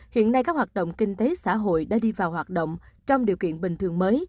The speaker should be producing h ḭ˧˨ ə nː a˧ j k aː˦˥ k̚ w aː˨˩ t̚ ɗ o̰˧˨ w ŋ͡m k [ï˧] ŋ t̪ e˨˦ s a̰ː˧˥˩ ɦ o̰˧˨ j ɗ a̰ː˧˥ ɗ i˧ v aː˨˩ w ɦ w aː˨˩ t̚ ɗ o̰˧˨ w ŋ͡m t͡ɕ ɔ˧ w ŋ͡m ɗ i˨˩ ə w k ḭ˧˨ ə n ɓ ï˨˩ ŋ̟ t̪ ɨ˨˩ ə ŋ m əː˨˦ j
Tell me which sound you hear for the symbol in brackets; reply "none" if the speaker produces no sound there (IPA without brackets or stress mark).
ï˧